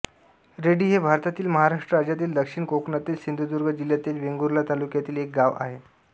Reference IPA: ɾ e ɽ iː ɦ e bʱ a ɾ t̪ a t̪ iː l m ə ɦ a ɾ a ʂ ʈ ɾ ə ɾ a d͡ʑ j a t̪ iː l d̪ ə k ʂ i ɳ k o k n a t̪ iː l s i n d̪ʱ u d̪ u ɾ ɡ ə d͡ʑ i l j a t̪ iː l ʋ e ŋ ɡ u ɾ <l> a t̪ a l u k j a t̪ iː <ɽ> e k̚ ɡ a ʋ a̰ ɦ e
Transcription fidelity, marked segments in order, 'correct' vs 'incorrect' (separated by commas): correct, incorrect